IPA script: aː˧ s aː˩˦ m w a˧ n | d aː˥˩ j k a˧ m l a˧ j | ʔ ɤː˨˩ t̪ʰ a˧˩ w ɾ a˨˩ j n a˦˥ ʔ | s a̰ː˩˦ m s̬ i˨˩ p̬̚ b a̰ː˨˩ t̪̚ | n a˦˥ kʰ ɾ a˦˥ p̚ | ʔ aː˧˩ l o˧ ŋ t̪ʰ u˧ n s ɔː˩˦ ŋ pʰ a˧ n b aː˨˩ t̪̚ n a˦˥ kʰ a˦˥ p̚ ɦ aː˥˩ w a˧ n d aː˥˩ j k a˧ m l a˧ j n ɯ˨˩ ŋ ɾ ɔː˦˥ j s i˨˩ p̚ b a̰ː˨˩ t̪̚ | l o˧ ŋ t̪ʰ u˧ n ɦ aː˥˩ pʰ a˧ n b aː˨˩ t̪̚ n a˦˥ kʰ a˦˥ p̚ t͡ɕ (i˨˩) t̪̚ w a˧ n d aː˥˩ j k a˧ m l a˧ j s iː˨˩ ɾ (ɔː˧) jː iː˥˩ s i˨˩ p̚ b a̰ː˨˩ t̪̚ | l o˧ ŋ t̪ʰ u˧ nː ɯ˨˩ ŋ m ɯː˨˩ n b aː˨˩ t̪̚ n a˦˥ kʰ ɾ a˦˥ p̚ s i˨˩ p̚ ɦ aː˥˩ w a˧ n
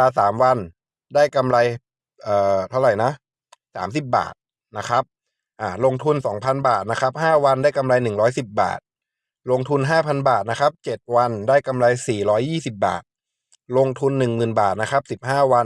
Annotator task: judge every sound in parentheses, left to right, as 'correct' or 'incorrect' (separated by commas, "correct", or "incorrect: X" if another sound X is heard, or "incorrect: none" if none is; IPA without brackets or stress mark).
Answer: incorrect: e˨˩, incorrect: ɔː˦˥